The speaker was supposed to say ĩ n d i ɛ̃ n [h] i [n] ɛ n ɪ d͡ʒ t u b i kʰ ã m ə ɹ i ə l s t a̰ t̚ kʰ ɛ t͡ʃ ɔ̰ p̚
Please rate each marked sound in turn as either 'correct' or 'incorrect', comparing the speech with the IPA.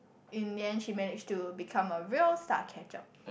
incorrect, incorrect

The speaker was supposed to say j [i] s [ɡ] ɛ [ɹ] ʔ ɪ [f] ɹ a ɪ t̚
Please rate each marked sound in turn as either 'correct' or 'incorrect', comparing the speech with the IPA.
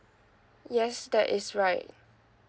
incorrect, incorrect, incorrect, incorrect

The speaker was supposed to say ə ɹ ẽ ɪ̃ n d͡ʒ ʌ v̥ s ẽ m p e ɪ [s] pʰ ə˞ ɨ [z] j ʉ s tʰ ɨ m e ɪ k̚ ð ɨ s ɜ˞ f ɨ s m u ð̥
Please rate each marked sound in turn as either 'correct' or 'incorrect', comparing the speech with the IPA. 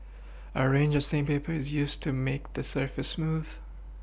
incorrect, correct

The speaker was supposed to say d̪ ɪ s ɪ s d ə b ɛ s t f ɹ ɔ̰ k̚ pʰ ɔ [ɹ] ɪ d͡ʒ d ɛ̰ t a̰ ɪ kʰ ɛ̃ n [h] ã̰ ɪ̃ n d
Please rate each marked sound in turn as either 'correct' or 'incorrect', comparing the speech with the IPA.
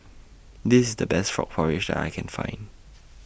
correct, incorrect

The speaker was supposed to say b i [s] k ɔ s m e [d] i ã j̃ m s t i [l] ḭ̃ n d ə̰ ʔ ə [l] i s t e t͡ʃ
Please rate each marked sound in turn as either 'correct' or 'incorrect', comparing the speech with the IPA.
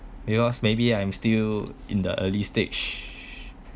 incorrect, incorrect, correct, correct

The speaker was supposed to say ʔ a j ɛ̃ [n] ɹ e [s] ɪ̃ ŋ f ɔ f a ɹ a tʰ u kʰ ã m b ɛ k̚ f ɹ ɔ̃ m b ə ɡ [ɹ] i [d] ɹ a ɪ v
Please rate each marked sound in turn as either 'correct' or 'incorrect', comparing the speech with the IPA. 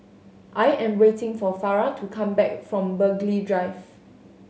incorrect, incorrect, incorrect, correct

